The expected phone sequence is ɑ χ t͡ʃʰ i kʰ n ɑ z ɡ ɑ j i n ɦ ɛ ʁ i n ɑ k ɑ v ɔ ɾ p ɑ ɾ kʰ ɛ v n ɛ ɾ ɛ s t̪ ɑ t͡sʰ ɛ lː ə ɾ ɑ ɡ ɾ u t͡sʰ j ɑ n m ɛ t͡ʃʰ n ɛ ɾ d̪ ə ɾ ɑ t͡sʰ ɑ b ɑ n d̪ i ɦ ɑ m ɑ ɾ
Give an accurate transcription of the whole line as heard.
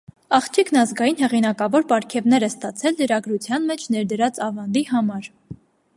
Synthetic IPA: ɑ χ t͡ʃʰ i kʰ n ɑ z ɡ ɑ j i n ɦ ɛ ʁ i n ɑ k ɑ v ɔ ɾ p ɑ ɾ kʰ ɛ v n ɛ ɾ ɛ s t̪ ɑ t͡sʰ ɛ lː ə ɾ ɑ ɡ ɾ u t͡sʰ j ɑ n m ɛ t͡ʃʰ n ɛ ɾ d̪ ə ɾ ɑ t͡s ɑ v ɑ n d̪ i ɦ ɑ m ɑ ɾ